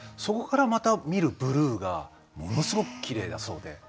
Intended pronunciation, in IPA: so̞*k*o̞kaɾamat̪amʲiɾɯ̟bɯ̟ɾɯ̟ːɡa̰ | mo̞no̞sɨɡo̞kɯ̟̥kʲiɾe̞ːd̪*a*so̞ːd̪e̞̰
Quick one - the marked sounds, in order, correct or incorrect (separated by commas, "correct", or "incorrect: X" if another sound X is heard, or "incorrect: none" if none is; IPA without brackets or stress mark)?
correct, correct